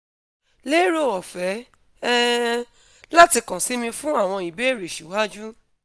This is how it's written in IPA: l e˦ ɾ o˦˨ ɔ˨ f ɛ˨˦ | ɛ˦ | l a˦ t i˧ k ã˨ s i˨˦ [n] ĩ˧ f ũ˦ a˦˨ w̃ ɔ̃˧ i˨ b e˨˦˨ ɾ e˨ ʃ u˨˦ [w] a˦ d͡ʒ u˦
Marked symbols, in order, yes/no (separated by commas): no, yes